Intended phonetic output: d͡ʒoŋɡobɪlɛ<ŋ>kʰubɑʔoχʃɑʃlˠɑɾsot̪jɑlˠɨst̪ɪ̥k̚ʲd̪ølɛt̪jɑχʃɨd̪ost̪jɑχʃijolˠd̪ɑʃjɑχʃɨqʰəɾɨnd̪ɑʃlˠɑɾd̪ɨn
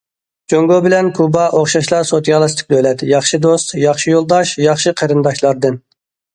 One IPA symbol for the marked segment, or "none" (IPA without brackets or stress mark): n